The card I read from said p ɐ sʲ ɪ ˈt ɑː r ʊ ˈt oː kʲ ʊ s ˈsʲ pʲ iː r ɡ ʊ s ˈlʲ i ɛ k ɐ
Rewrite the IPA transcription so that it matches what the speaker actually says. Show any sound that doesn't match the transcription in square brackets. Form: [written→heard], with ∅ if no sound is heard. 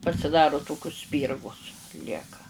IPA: p ɐ sʲ ɪ [ˈt→ˈd] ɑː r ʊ ˈt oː kʲ ʊ s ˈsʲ pʲ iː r ɡ ʊ s ˈlʲ i ɛ k ɐ

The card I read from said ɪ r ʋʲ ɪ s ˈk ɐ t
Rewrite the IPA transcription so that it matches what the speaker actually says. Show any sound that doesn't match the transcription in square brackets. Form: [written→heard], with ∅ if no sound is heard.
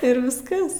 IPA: ɪ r ʋʲ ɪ s ˈk ɐ [t→s]

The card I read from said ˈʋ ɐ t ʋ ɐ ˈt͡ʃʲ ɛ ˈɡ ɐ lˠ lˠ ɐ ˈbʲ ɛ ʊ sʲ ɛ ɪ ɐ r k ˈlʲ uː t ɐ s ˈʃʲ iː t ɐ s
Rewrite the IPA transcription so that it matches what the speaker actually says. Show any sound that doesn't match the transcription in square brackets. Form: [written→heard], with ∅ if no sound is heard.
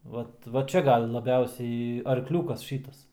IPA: ˈʋ ɐ t ʋ ɐ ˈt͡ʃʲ ɛ ˈɡ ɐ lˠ lˠ ɐ ˈbʲ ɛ ʊ sʲ ɛ ɪ ɐ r k ˈlʲ uː [t→k] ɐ s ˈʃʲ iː t ɐ s

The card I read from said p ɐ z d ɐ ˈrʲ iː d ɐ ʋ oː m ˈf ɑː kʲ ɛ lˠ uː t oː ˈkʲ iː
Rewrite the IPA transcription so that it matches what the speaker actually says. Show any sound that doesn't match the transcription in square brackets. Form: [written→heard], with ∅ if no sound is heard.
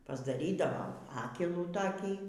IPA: p ɐ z d ɐ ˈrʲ iː d ɐ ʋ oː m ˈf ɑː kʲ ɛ lˠ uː t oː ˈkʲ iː

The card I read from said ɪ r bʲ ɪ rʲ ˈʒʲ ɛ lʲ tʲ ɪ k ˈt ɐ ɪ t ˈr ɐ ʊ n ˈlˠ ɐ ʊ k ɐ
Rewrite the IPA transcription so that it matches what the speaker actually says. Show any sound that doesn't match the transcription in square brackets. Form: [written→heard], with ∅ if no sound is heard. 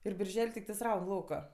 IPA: ɪ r bʲ ɪ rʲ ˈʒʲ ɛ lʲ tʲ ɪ k ˈt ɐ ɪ [t→s] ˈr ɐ ʊ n ˈlˠ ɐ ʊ k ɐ

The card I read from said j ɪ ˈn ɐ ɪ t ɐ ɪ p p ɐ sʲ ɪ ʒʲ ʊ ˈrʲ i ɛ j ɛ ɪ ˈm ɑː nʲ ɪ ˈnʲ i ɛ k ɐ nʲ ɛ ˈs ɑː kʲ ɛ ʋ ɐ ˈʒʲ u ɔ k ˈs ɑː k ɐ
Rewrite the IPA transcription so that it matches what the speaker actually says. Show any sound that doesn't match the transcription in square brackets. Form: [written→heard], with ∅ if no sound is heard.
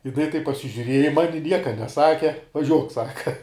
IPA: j ɪ ˈn ɐ ɪ t ɐ ɪ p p ɐ sʲ ɪ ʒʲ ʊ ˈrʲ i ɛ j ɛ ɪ ˈm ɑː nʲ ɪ ˈnʲ i ɛ k ɐ nʲ ɛ ˈs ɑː kʲ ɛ ʋ ɐ ˈʒʲ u ɔ k ˈs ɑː k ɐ

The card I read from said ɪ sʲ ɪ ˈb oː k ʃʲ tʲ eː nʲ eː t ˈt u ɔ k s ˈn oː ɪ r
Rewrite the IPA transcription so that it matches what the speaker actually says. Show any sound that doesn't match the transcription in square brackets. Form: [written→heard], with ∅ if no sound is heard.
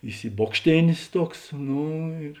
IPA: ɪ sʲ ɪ ˈb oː k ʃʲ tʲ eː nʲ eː [t→s] ˈt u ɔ k s ˈn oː ɪ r

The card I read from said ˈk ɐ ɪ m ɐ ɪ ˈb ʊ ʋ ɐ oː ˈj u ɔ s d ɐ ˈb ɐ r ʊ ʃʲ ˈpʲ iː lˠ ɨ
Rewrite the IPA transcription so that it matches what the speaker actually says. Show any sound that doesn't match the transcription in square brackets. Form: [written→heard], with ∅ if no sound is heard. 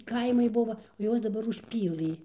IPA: ˈk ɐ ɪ m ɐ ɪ ˈb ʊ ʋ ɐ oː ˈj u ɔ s d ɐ ˈb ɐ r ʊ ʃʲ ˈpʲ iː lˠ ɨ

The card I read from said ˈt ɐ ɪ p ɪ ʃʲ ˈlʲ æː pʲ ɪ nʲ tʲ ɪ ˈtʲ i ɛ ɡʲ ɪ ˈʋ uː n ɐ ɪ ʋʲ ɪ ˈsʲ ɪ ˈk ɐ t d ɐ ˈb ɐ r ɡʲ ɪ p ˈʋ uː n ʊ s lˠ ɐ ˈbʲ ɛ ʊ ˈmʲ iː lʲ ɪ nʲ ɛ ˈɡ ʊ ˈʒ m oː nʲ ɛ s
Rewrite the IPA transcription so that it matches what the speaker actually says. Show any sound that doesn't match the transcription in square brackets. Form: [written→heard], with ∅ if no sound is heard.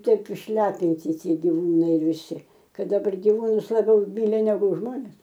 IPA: ˈt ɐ ɪ p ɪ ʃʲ ˈlʲ æː pʲ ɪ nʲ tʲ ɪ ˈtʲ i ɛ ɡʲ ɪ ˈʋ uː n ɐ ɪ ʋʲ ɪ ˈsʲ ɪ ˈk ɐ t d ɐ ˈb ɐ r ɡʲ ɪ [p→∅] ˈʋ uː n ʊ s lˠ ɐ ˈbʲ ɛ ʊ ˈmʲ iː lʲ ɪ nʲ ɛ ˈɡ ʊ ˈʒ m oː nʲ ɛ s

